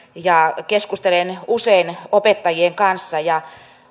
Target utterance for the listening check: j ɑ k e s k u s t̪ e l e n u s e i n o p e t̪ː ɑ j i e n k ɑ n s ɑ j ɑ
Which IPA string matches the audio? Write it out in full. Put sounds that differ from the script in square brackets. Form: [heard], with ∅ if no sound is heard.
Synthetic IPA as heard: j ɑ k e s k u s t̪ e l e n u s e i n o p e t̪ː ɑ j i e [ŋ] k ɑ n [sː] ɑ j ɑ